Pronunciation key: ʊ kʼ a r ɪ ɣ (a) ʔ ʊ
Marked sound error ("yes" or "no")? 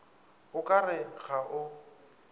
no